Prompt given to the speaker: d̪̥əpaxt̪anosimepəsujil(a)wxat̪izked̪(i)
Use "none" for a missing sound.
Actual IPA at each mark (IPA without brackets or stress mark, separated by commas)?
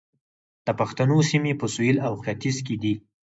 a, i